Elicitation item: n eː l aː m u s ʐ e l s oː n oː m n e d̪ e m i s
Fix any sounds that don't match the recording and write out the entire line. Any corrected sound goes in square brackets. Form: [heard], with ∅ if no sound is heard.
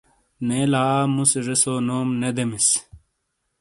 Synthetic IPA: n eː l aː m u s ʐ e [∅] s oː n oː m n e d̪ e m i s